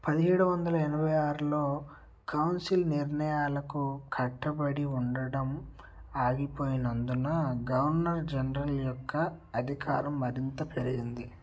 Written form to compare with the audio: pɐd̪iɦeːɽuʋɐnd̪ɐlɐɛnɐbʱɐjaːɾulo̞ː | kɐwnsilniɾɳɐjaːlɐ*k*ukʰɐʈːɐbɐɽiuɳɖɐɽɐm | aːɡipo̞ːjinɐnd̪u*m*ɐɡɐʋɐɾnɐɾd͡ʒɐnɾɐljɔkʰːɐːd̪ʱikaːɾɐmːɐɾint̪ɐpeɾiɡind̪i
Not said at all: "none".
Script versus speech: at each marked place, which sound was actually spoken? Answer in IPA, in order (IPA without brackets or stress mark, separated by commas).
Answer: k, n